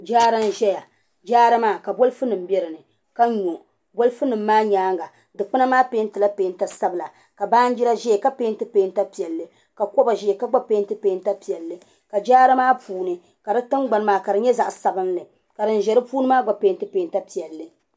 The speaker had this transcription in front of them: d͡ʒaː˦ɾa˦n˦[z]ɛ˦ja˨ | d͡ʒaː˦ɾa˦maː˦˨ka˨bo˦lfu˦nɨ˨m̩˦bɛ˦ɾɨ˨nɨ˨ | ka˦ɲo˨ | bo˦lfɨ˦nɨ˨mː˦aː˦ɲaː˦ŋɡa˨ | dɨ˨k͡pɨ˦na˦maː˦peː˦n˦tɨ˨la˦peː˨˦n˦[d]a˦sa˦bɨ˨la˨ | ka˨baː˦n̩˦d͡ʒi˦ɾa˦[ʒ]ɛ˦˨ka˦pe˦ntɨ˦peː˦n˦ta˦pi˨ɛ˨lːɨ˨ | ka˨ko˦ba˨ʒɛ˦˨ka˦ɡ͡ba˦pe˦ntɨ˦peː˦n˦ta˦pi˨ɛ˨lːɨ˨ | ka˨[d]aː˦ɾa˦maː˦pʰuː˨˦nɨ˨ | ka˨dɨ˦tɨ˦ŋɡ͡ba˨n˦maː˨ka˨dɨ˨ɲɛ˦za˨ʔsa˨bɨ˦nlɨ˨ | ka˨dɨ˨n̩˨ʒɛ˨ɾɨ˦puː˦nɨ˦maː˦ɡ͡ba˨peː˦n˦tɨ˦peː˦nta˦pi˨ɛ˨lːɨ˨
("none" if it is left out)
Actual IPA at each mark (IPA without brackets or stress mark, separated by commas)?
ʒ, t, ʒ, d͡ʒ